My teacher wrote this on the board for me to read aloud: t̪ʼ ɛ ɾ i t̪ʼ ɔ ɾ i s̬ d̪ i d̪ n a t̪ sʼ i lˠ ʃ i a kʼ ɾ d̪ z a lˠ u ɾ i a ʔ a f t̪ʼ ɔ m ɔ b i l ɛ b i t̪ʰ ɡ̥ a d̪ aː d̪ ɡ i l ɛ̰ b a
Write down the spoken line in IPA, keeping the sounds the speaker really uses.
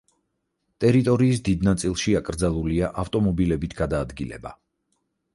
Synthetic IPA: t̪ʼ ɛ ɾ i t̪ʼ ɔ ɾ iː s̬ d̪ i d̪ n a t̪ sʼ i lˠ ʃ i a kʼ ɾ d̪ z a lˠ u l i a ʔ a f t̪ʼ ɔ m ɔ b i l ɛ b i t̪ʰ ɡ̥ a d̪ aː d̪ ɡ i l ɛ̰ b a